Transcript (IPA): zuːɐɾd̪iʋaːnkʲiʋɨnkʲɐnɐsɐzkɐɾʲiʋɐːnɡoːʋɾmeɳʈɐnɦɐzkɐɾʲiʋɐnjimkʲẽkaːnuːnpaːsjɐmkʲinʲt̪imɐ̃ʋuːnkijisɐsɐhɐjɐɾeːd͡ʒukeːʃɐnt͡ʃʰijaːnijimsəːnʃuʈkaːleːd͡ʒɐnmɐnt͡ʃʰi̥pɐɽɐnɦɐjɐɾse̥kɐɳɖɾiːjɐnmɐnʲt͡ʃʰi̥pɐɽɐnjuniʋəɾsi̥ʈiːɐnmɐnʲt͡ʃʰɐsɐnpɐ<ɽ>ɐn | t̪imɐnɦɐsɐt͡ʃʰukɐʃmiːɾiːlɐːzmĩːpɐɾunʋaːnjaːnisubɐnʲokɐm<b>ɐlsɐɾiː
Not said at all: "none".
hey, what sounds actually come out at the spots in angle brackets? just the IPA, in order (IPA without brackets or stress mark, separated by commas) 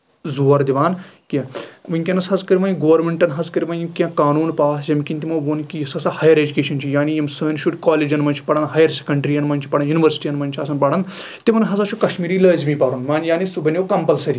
ɽ, p